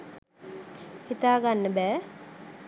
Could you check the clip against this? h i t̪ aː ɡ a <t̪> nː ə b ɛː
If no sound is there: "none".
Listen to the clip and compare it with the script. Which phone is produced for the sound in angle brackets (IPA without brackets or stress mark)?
none